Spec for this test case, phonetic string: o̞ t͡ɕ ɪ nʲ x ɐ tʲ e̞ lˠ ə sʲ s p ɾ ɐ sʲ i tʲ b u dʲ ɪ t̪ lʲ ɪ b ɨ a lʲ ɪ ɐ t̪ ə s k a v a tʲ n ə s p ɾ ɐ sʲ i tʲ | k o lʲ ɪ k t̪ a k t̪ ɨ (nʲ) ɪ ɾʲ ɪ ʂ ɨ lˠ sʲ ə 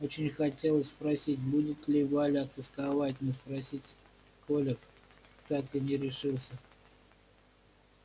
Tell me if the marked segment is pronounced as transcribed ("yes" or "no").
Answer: yes